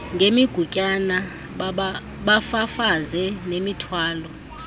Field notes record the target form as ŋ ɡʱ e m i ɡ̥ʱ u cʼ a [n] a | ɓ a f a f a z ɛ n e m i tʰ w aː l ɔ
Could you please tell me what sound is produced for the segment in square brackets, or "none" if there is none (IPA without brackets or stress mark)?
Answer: n